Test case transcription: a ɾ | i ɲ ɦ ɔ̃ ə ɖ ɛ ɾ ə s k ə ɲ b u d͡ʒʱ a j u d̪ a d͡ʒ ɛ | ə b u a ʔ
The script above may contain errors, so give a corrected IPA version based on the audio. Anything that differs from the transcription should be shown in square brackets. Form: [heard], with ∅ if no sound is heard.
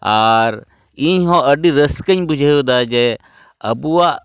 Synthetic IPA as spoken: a ɾ | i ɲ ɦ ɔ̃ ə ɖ [i] ɾ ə s k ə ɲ b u d͡ʒʱ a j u d̪ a d͡ʒ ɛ | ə b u a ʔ

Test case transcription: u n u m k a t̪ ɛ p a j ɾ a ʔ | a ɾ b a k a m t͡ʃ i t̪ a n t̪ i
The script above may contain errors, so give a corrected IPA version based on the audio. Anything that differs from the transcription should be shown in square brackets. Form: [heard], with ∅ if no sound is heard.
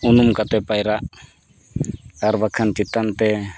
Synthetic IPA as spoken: u n u m k a t̪ ɛ p a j ɾ a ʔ | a ɾ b a [kʰ] a [n] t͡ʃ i t̪ a n t̪ [ɛ]

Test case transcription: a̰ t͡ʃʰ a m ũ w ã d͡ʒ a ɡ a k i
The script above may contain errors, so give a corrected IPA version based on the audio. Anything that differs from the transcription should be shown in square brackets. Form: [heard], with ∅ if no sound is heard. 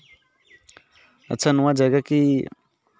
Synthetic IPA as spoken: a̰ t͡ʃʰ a [n] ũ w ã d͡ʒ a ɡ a k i

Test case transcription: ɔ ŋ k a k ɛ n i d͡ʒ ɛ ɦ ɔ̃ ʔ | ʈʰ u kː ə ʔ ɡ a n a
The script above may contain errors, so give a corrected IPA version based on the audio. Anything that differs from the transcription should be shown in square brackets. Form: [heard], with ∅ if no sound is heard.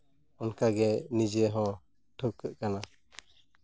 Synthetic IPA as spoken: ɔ [n] k a [ɡ] ɛ n i d͡ʒ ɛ ɦ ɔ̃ [∅] | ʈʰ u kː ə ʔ [k] a n a

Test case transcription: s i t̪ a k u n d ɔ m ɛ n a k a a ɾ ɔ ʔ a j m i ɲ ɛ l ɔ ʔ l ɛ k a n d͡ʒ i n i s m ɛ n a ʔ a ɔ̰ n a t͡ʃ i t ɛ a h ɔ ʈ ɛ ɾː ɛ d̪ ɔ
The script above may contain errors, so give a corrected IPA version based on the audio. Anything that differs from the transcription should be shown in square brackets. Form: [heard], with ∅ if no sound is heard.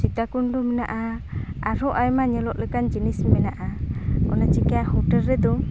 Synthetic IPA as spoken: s i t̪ a k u n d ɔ m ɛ n a [ʔ] a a ɾ ɔ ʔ a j m [a] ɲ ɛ l ɔ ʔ l ɛ k a n d͡ʒ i n i s m ɛ n a ʔ a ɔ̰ n a t͡ʃ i [k] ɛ a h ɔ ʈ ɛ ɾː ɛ d̪ ɔ

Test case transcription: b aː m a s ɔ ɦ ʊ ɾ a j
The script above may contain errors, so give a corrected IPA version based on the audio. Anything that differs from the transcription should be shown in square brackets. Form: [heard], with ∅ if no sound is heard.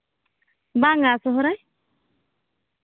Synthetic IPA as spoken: b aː [ŋ] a s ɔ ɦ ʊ ɾ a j

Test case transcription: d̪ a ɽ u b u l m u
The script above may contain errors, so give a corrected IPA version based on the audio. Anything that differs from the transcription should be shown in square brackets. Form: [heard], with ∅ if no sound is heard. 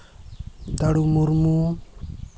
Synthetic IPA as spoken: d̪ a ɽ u [m] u [ɾ] m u

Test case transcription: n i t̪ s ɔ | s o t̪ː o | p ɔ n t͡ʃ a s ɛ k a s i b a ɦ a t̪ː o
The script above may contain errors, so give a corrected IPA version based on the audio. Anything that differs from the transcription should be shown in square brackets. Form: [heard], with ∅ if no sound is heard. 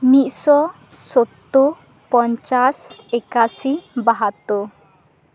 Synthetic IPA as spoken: [m] i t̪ s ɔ | s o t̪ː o | p ɔ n t͡ʃ a s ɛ k a s i b a ɦ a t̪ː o

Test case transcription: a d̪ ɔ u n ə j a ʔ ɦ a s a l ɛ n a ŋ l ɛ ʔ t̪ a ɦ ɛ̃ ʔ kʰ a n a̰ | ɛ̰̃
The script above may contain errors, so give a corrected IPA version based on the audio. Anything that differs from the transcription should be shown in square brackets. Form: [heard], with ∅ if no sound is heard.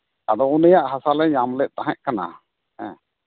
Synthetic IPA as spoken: a d̪ ɔ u n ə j a ʔ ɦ a s a l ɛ [ɲ] a [m] l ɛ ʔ t̪ a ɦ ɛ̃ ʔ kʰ a n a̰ | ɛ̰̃

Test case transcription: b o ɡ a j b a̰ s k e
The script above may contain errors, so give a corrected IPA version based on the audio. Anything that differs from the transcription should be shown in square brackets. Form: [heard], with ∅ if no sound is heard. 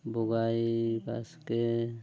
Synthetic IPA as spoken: b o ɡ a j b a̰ s k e

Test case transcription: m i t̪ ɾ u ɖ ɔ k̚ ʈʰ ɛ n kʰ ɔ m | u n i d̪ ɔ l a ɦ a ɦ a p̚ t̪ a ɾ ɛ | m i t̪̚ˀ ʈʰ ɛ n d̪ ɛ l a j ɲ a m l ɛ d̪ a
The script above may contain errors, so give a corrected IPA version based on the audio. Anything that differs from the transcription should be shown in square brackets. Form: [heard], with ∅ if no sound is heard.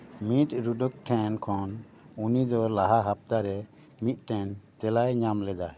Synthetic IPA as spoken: m i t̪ ɾ u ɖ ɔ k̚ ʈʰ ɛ n kʰ ɔ [n] | u n i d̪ ɔ l a ɦ a ɦ a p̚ t̪ a ɾ ɛ | m i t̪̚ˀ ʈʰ ɛ n [t̪] ɛ l a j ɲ a m l ɛ d̪ a

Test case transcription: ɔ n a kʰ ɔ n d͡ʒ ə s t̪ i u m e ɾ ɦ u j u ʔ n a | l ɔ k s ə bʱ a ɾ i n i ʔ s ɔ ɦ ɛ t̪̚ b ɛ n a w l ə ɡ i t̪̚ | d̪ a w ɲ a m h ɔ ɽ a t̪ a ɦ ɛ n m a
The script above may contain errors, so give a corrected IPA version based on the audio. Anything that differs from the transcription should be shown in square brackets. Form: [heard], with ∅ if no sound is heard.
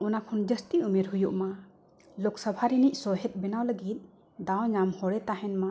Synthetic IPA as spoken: ɔ n a kʰ ɔ n d͡ʒ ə s t̪ i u m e ɾ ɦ u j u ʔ [m] a | l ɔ k s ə bʱ a ɾ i n i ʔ s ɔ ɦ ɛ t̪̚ b ɛ n a w l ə ɡ i t̪̚ | d̪ a w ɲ a m h ɔ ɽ [ɛ] t̪ a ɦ ɛ n m a

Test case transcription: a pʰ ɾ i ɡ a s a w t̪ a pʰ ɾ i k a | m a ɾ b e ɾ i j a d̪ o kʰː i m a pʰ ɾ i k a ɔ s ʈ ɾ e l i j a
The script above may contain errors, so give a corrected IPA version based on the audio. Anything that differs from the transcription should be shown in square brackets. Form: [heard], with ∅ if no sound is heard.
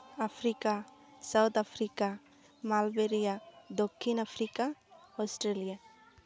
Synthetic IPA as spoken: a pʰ ɾ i [k] a s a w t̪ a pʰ ɾ i k a | m a [l] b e ɾ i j a d̪ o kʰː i [n] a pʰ ɾ i k a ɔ s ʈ ɾ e l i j a

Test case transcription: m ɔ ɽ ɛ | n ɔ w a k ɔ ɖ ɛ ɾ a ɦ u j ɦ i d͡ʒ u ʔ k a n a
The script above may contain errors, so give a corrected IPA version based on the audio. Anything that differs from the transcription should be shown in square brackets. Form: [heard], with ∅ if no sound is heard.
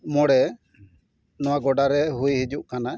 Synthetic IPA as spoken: m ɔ ɽ ɛ | n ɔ w a [ɡ] ɔ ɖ [a] ɾ [ɛ] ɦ u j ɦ i d͡ʒ u ʔ k a n a

